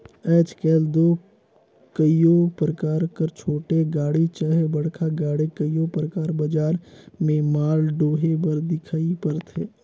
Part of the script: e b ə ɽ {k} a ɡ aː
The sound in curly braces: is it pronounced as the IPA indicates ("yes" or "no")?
no